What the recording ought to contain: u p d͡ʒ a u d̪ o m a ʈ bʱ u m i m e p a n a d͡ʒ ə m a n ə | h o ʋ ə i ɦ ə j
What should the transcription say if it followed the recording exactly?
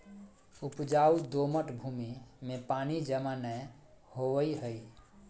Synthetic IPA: u p d͡ʒ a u d̪ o m ə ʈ bʱ u m i m e p a n i d͡ʒ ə m a n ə | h o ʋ ə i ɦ ə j